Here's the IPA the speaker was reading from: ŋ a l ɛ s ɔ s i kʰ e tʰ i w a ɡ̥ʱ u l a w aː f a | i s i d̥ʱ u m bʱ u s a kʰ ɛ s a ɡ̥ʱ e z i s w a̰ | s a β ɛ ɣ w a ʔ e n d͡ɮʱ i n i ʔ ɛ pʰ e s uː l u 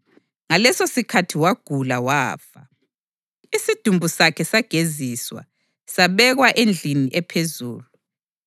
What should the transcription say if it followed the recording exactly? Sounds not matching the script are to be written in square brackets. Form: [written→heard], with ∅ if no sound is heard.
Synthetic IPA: ŋ a l ɛ s [ɔ→o] s i kʰ [e→a] tʰ i w a ɡ̥ʱ u l a w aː f a | i s i d̥ʱ u m bʱ u s a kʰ ɛ s a ɡ̥ʱ e z i s w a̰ | s a β ɛ ɣ w a ʔ e n d͡ɮʱ i n i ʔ ɛ pʰ e [s→z] uː l u